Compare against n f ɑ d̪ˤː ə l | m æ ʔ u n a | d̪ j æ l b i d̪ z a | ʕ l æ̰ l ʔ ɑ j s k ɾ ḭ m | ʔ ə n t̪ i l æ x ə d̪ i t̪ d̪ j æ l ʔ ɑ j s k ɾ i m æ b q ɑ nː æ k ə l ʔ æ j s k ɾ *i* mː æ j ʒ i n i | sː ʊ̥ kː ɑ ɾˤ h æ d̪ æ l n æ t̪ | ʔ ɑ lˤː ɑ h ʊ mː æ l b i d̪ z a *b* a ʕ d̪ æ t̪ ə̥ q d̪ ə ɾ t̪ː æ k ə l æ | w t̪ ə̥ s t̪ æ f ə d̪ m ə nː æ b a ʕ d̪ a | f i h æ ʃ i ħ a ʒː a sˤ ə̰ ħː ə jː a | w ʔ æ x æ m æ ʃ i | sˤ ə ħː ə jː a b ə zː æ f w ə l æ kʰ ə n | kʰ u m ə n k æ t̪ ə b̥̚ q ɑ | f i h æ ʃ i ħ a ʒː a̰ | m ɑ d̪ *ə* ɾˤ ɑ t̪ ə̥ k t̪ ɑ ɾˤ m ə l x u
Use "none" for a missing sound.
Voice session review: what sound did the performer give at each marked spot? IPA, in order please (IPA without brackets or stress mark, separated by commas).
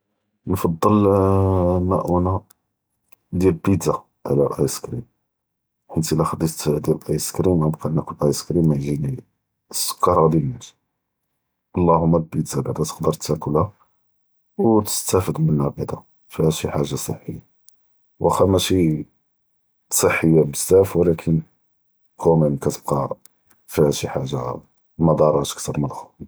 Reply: i, b, ɑ